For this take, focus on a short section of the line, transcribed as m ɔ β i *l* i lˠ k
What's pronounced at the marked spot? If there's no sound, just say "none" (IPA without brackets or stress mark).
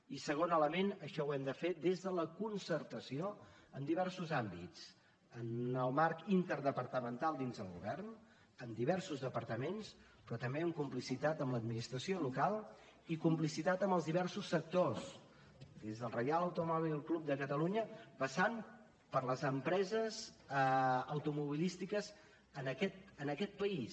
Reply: l